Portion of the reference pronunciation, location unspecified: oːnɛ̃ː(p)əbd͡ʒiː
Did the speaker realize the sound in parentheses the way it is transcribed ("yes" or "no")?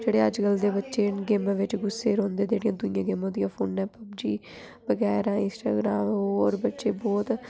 yes